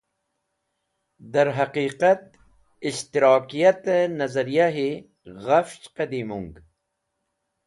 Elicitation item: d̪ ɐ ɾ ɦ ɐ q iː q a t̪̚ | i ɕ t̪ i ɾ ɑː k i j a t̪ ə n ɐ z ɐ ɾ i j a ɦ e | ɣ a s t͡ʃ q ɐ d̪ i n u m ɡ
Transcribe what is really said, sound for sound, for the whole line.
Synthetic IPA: d̪ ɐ ɾ ɦ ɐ q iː q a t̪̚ | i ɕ t̪ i ɾ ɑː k i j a t̪ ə n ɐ z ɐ ɾ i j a ɦ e | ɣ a f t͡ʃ q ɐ d̪ i m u ŋ ɡ